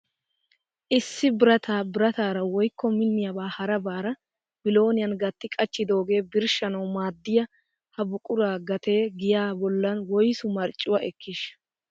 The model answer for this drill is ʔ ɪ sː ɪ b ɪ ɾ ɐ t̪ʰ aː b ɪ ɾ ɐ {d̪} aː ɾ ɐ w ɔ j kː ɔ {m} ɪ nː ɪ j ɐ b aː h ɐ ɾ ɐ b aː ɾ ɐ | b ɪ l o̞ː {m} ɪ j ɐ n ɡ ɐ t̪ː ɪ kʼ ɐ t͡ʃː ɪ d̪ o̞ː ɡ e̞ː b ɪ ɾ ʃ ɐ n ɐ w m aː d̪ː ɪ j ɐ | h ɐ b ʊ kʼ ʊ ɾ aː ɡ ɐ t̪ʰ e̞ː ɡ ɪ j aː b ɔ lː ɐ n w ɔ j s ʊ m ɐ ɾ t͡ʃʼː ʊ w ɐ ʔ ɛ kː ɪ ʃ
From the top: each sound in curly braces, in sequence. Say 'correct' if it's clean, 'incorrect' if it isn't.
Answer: incorrect: t̪, correct, incorrect: n

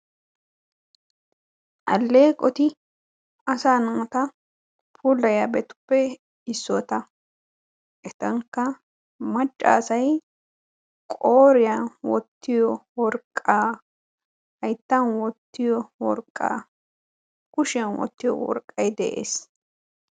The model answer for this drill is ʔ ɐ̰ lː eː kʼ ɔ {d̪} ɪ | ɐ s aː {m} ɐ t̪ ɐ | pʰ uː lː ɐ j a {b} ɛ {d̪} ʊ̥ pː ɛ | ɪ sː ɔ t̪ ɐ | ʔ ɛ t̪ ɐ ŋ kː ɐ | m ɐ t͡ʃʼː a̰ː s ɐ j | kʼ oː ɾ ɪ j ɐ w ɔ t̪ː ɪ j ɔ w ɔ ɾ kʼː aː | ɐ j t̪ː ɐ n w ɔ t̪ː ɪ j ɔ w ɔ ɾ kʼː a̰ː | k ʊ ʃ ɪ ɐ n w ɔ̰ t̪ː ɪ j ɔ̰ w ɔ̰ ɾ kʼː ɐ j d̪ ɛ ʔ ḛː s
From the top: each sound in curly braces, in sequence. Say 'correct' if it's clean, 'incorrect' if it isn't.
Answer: incorrect: t̪, incorrect: n, correct, incorrect: t̪

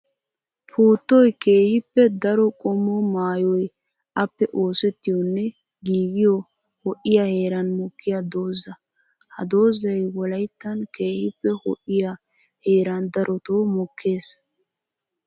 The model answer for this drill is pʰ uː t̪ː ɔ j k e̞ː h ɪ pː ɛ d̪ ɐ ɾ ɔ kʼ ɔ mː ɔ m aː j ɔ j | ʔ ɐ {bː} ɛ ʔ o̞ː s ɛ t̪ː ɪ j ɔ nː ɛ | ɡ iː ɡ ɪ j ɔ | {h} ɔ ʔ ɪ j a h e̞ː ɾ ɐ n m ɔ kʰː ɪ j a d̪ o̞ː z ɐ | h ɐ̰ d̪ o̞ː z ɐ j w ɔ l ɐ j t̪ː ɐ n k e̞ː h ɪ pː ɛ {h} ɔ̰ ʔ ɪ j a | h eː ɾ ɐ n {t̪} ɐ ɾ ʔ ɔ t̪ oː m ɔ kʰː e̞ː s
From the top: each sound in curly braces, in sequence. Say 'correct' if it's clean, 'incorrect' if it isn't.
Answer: incorrect: pː, correct, correct, incorrect: d̪

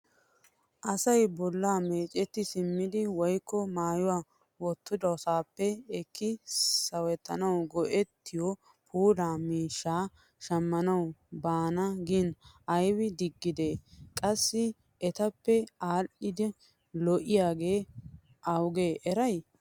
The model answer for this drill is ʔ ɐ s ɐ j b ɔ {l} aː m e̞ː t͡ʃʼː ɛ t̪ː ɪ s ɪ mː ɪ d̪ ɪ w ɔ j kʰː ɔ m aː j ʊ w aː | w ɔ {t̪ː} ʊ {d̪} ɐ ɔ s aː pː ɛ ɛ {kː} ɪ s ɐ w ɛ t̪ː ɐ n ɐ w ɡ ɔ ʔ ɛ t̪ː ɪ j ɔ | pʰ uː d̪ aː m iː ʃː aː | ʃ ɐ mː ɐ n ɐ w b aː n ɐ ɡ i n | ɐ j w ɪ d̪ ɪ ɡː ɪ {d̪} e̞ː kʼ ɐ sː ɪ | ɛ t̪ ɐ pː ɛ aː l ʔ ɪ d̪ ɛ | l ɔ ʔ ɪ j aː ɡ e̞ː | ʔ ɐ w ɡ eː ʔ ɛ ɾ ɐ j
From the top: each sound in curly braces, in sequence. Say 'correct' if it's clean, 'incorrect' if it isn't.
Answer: incorrect: lː, correct, correct, correct, correct

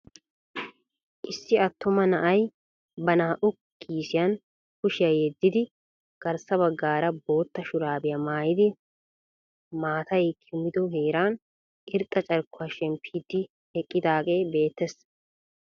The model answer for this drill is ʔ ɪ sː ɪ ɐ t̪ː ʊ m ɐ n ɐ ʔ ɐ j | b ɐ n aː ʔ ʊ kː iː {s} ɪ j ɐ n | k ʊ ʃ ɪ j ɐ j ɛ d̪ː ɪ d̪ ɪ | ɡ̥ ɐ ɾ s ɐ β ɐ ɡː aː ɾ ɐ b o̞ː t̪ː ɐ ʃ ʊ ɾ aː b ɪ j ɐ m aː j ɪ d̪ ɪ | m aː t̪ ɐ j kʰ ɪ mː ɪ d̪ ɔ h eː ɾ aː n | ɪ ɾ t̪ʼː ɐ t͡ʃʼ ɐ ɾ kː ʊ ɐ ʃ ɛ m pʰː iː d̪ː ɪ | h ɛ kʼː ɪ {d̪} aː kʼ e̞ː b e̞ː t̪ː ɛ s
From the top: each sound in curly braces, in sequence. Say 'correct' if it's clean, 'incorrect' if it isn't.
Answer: correct, correct

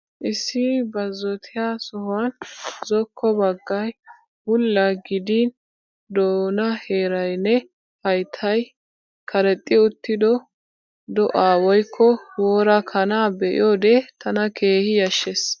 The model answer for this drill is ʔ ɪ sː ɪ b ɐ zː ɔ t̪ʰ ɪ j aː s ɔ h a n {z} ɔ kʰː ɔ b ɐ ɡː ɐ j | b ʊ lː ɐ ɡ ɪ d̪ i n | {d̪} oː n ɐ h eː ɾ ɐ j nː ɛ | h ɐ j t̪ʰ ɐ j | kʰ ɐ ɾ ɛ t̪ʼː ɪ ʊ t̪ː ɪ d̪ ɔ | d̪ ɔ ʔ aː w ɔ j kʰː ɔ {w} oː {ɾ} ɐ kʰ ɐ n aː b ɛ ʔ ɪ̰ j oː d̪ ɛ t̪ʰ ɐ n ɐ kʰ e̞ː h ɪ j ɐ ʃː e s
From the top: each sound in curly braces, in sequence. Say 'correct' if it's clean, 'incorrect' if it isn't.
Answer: correct, correct, correct, correct

